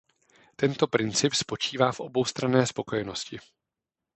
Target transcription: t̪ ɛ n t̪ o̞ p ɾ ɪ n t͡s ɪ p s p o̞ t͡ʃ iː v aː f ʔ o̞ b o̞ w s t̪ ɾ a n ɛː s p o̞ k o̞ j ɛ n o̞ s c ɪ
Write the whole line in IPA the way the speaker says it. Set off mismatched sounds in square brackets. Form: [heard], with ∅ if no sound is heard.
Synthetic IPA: t̪ ɛ n t̪ o̞ p ɾ ɪ n t͡s ɪ p s p o̞ t͡ʃ iː v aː f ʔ o̞ b o̞ w s t̪ ɾ a n ɛː s p o̞ k o̞ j ɛ n o̞ s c ɪ